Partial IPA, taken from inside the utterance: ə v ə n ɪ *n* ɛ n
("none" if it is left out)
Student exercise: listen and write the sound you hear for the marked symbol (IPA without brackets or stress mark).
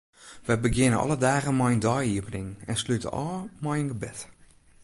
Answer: ŋ